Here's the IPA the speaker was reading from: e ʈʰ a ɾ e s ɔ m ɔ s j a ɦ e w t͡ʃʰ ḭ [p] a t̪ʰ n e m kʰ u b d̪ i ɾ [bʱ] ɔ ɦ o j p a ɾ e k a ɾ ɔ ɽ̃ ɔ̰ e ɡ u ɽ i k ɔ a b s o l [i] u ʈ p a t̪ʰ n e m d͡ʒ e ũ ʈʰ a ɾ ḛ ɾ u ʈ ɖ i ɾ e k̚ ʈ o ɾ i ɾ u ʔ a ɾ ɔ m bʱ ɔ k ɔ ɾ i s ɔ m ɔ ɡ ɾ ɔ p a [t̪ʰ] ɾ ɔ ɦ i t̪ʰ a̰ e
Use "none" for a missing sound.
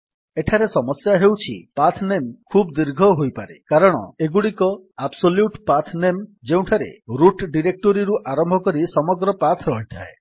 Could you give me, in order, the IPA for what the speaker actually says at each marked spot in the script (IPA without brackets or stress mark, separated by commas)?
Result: p, ɡʱ, j, t̪ʰ